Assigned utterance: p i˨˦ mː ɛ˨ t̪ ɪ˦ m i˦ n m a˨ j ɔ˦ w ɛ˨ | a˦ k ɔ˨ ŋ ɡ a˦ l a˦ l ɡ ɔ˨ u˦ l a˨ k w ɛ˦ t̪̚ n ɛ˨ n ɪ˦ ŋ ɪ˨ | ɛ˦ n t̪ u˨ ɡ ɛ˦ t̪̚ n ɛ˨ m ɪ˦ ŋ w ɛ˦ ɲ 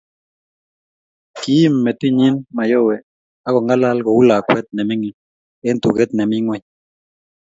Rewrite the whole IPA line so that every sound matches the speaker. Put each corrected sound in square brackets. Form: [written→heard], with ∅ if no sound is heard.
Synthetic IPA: [p→k] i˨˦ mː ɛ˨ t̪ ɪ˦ [m→ɲ] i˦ n m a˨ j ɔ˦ w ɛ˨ | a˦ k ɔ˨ ŋ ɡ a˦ l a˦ l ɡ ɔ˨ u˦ l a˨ k w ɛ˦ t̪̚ n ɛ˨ [n→m] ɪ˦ ŋ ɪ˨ | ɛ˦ n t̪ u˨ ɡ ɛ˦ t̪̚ n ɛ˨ m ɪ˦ ŋ w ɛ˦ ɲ